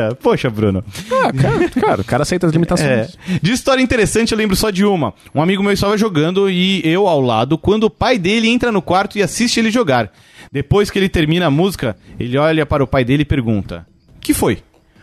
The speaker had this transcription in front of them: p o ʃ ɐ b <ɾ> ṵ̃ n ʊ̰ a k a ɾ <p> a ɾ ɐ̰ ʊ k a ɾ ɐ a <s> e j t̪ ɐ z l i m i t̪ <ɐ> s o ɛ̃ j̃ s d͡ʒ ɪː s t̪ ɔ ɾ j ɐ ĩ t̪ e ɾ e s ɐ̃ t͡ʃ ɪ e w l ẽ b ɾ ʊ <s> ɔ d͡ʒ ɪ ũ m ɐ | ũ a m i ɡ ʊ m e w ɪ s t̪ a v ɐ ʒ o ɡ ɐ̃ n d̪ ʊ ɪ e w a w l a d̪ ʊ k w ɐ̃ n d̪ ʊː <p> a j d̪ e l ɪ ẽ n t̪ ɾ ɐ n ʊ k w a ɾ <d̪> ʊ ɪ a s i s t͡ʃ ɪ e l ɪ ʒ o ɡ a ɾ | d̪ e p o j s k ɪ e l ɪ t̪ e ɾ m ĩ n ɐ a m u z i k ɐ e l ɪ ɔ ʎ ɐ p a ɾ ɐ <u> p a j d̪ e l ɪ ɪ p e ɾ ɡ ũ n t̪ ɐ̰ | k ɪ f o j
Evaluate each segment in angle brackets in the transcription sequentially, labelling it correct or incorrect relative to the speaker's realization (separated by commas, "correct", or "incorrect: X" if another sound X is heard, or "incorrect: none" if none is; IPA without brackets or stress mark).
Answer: correct, incorrect: k, correct, incorrect: a, correct, correct, incorrect: t̪, incorrect: ʊ